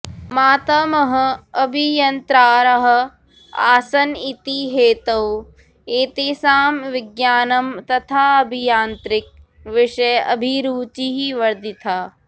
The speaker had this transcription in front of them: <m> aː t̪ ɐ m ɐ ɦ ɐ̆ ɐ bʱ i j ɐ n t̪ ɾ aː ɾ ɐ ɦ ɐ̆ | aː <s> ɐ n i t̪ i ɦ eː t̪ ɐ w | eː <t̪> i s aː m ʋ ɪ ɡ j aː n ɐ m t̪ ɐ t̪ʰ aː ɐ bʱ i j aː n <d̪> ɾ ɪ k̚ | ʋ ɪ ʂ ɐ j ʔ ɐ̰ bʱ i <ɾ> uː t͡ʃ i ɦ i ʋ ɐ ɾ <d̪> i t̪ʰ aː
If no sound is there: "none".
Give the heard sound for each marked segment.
m, s, t̪, t̪, ɾ, d̪

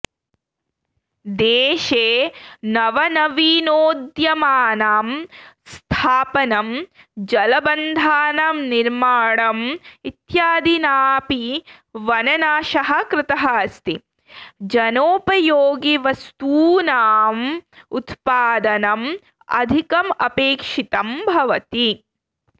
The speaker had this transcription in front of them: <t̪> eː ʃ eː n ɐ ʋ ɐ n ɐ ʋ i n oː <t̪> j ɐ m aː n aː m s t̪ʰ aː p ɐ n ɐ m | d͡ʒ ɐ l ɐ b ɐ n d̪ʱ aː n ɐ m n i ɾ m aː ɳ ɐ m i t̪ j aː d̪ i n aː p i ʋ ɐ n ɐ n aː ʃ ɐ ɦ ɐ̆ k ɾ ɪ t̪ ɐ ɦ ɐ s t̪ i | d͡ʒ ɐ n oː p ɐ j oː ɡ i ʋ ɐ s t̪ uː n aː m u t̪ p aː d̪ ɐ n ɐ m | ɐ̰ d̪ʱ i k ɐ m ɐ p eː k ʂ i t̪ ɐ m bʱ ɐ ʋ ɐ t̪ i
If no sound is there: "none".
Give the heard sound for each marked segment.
d̪, d̪

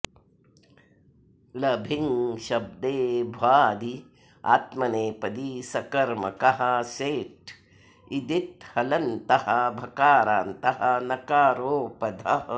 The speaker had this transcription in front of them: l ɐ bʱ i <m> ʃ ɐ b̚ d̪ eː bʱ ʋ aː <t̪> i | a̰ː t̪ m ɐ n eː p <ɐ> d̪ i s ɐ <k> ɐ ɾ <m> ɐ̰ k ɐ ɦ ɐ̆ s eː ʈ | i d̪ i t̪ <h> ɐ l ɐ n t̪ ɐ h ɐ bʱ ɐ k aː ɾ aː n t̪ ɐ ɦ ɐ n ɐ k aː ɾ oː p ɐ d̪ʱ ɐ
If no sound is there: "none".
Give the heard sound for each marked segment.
ŋ, d̪, ɐ, k, m, h

